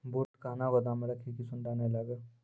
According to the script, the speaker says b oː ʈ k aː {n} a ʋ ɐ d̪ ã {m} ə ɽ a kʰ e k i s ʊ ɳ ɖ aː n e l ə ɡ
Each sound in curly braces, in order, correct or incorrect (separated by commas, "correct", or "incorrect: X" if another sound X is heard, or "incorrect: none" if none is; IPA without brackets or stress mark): correct, correct